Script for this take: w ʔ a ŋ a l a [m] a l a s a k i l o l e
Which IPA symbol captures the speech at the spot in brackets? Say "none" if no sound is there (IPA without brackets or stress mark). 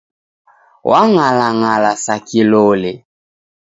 ŋ